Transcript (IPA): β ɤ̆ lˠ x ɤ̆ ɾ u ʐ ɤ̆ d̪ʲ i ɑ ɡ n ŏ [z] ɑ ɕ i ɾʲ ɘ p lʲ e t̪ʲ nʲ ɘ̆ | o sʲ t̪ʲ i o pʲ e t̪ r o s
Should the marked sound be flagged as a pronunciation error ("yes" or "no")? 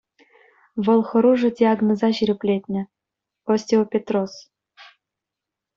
no